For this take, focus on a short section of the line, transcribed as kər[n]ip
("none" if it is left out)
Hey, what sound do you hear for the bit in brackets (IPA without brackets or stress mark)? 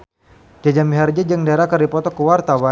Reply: d